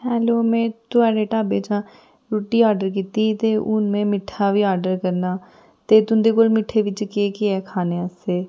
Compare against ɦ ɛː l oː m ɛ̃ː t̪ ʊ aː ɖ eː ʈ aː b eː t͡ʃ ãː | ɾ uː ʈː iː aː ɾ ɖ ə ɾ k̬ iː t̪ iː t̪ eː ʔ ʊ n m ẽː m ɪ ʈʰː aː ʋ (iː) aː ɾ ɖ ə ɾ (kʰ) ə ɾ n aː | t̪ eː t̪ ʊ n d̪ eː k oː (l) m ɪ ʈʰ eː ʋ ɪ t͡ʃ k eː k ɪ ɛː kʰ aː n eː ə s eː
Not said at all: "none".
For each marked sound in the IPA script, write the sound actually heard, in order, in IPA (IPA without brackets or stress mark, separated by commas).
iː, k, l